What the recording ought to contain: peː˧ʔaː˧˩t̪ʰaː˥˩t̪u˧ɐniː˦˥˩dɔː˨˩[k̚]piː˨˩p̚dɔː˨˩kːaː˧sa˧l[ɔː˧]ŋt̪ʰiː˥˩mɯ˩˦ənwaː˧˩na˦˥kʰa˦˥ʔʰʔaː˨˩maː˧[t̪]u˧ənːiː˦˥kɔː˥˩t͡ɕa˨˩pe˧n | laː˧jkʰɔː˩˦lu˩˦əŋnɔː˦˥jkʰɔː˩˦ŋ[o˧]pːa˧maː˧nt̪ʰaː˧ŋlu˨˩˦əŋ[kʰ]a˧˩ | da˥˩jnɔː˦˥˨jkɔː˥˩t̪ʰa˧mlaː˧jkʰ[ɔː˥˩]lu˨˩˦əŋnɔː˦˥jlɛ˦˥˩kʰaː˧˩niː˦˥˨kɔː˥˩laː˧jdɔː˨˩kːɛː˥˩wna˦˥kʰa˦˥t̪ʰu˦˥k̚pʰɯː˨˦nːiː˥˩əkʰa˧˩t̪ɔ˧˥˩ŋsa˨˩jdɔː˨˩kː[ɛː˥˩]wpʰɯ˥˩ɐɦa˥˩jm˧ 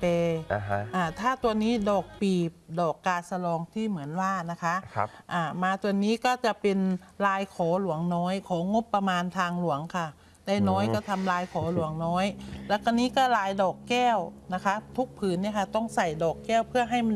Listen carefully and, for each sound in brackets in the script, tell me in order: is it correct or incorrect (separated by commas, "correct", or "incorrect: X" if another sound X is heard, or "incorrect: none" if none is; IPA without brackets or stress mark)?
correct, correct, correct, incorrect: o˦˥, correct, incorrect: ɔː˩˦, correct